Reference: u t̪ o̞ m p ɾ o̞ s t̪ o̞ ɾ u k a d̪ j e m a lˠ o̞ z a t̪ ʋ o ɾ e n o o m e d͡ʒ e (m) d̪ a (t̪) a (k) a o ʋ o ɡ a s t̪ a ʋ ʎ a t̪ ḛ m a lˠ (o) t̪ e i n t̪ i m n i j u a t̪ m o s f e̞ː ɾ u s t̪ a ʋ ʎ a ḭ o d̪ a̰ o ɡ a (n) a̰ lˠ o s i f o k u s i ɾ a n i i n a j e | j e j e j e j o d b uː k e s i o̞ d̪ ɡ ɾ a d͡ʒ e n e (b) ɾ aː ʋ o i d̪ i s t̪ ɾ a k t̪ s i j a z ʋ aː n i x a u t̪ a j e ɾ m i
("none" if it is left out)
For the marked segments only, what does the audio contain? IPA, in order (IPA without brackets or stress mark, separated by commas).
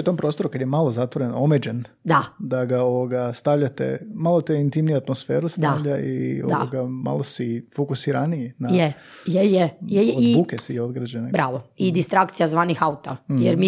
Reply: n, d̪, ɡ, o, m, b